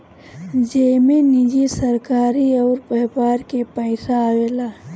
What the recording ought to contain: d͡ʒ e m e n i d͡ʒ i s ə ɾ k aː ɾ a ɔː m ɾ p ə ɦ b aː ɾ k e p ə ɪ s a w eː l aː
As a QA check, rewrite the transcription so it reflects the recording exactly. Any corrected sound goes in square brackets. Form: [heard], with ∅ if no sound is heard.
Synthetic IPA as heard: d͡ʒ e m e n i d͡ʒ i s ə ɾ k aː ɾ [i] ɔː [∅] ɾ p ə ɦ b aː ɾ k e p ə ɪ s a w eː l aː